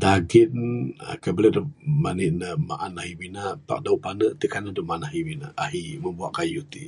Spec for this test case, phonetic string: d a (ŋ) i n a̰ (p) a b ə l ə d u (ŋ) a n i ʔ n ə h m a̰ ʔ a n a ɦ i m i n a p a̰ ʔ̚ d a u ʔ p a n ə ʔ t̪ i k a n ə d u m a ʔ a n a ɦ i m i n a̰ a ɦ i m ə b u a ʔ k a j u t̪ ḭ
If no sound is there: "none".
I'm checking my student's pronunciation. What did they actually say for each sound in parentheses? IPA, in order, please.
ɡ, k, m

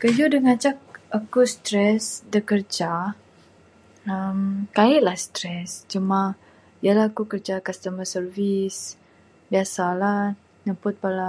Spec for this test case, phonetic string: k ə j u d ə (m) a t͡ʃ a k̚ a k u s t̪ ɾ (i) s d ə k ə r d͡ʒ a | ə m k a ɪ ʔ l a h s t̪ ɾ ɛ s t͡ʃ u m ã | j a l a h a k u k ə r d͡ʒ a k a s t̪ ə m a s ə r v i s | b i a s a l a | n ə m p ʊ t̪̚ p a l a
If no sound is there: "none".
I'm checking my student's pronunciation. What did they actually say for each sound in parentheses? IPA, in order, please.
ŋ, ɛ

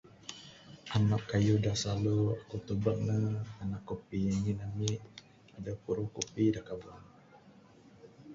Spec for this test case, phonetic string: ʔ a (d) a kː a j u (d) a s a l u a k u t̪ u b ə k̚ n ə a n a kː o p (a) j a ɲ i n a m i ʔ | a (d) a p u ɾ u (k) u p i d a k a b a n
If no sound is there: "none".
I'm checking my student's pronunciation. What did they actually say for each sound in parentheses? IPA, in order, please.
n, d, i, d, k

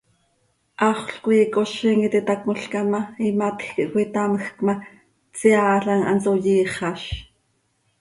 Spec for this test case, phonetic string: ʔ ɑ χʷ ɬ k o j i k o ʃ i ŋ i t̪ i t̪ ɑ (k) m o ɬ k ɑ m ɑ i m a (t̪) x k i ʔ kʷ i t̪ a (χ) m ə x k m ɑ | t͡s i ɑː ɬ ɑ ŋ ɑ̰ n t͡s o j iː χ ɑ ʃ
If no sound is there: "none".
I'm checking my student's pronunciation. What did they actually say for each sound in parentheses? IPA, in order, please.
k, t̪, none

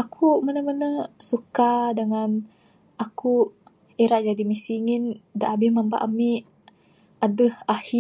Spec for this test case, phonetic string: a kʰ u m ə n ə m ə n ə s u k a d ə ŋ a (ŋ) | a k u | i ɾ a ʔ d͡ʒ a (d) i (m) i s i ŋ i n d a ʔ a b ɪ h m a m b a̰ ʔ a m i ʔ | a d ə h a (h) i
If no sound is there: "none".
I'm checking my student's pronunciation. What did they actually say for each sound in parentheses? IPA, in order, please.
n, d, m, h

